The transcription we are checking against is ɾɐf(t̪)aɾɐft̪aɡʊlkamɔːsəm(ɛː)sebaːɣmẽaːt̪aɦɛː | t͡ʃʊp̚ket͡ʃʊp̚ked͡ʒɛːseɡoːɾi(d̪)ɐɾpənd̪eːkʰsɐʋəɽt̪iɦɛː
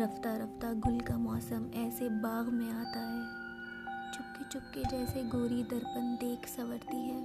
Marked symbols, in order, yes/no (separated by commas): yes, yes, yes